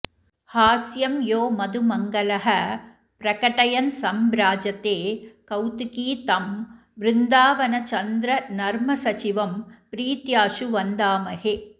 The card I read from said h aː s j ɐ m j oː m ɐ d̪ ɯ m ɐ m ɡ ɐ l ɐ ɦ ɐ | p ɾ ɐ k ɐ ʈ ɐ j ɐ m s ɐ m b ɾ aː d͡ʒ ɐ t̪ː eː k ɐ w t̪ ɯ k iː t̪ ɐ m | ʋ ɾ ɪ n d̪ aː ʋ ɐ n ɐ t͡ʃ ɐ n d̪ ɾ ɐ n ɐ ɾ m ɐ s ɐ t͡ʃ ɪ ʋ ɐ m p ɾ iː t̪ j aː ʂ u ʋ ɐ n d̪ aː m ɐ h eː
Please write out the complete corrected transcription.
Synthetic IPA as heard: h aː s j ɐ m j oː m ɐ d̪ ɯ m ɐ ŋ ɡ ɐ l ɐ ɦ ɐ | p ɾ ɐ k ɐ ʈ ɐ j ɐ n s ɐ m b ɾ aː d͡ʒ ɐ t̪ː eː k ɐ w t̪ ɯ k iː t̪ ɐ m | ʋ ɾ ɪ n d̪ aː ʋ ɐ n ɐ t͡ʃ ɐ n d̪ ɾ ɐ n ɐ ɾ m ɐ s ɐ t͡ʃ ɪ ʋ ɐ m p ɾ iː t̪ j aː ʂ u ʋ ɐ n d̪ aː m ɐ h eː